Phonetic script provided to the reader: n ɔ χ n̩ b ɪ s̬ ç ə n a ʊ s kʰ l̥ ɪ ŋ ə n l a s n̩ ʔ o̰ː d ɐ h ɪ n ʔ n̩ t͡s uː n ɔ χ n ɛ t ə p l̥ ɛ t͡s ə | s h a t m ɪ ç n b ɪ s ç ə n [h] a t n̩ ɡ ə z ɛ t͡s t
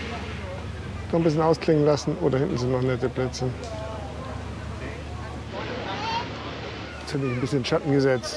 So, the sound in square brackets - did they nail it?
no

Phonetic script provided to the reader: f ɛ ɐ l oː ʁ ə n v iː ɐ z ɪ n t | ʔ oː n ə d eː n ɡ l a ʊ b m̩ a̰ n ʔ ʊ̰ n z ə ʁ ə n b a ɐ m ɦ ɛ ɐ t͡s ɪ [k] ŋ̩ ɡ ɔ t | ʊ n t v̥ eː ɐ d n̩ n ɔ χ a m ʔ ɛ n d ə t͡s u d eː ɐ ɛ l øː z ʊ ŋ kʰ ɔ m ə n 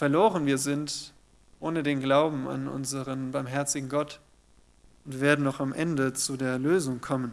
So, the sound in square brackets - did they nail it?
no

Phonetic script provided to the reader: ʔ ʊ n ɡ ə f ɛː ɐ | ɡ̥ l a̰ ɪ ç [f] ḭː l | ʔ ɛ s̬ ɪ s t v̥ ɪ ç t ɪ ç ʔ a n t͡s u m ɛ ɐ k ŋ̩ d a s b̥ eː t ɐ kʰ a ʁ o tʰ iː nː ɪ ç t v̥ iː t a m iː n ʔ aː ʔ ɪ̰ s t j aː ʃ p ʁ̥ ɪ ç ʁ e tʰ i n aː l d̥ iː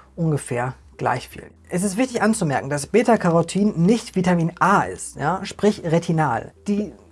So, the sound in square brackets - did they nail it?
yes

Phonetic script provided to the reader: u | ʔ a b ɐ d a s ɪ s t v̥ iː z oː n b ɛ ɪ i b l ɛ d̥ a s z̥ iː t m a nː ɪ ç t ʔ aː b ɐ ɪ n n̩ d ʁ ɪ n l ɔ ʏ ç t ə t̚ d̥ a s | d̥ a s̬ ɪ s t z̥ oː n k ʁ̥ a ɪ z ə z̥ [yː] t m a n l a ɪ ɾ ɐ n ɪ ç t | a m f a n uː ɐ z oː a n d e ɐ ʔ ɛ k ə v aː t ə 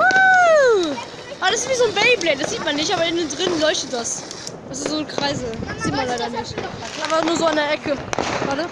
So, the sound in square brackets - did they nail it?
no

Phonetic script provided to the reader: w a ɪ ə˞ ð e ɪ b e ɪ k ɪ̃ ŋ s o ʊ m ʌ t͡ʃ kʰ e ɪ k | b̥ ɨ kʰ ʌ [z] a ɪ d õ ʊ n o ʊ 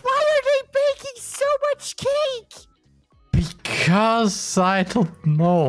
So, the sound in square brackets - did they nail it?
yes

